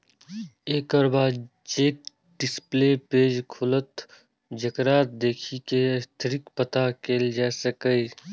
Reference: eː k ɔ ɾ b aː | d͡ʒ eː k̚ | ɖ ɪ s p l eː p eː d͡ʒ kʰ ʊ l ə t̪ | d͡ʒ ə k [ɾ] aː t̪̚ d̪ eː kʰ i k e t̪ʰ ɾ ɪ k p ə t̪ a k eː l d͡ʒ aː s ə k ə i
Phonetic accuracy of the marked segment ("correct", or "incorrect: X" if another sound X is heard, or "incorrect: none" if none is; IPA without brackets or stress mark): correct